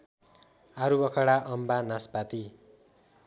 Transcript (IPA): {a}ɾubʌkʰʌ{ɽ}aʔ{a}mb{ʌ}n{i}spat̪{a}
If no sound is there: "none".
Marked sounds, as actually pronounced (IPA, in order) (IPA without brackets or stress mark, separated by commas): a, ɽ, ʌ, a, a, i